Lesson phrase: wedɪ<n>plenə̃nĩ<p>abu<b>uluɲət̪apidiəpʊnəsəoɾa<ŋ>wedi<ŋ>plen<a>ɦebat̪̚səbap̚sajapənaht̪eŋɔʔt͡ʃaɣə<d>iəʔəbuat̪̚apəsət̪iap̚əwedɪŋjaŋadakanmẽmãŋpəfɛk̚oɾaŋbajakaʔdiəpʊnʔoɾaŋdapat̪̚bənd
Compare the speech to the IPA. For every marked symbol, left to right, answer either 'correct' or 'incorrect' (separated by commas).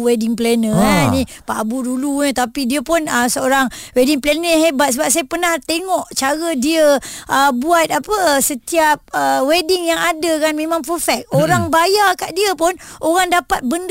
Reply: incorrect, correct, incorrect, correct, correct, incorrect, correct